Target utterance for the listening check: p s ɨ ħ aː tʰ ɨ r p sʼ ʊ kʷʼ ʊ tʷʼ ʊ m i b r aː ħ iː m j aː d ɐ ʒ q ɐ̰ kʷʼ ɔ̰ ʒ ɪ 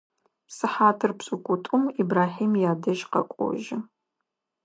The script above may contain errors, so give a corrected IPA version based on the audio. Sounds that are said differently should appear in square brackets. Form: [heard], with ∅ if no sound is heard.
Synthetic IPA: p s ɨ ħ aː tʰ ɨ r p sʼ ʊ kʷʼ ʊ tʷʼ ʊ m i b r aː ħ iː m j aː d ɐ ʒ q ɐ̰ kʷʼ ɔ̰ ʒ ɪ